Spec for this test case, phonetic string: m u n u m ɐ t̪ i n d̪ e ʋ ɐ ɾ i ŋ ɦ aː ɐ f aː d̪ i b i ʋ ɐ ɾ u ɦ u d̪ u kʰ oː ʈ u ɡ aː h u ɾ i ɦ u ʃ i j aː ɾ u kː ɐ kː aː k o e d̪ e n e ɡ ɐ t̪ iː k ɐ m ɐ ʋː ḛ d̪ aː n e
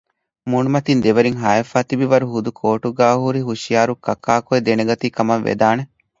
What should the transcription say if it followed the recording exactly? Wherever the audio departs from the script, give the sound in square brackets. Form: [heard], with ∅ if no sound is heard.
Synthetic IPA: m u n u m ɐ t̪ i n d̪ e ʋ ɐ ɾ i ŋ ɦ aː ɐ f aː [t̪] i b i ʋ ɐ ɾ u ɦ u d̪ u kʰ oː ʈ u ɡ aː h u ɾ i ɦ u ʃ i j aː ɾ u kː ɐ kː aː k o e d̪ e n e ɡ ɐ t̪ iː k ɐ m ɐ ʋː ḛ d̪ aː n e